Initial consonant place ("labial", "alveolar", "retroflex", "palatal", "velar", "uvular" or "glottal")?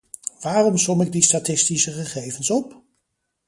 labial